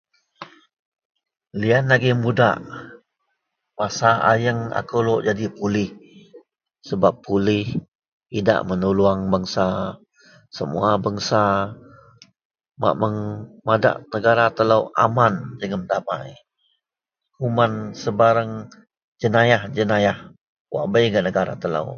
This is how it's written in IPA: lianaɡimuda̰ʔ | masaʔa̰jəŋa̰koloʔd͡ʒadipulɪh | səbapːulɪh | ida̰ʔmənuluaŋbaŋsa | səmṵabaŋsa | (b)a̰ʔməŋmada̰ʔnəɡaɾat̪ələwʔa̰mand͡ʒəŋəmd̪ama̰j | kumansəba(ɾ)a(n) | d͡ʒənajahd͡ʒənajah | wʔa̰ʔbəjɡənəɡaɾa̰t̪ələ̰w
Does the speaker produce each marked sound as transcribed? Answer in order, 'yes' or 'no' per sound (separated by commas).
no, yes, no